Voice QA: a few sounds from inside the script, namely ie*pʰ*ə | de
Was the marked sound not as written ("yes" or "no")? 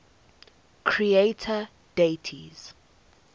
yes